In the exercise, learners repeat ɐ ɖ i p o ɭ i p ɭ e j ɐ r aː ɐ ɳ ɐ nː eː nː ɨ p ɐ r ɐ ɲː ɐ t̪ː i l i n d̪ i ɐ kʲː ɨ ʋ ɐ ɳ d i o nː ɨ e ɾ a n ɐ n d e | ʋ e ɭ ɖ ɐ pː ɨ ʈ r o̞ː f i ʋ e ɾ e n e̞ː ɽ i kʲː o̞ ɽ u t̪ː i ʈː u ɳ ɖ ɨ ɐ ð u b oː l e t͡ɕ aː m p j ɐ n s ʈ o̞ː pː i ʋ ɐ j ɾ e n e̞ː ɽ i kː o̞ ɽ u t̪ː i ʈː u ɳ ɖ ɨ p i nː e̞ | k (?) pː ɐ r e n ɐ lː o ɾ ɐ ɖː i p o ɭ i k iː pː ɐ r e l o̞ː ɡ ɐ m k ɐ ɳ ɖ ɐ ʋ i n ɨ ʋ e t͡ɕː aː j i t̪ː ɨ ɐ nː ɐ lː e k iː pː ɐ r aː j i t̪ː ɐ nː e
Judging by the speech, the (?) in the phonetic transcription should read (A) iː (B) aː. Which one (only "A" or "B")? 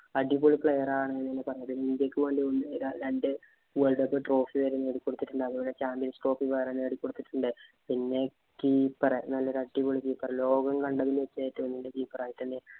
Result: A